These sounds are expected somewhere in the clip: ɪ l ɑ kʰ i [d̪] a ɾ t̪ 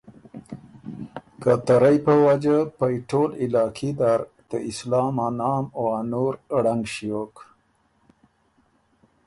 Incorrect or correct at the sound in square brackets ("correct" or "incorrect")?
correct